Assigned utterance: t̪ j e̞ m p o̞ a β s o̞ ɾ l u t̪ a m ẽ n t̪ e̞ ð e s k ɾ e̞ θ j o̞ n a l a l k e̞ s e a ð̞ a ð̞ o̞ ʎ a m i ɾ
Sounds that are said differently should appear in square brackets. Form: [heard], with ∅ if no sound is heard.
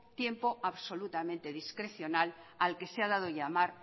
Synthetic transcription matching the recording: t̪ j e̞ m p o̞ a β s o̞ [∅] l u t̪ a m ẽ n t̪ e̞ ð [i] s k ɾ e̞ θ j o̞ n a l a l k e̞ s e a ð̞ a ð̞ o̞ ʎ a m [a] ɾ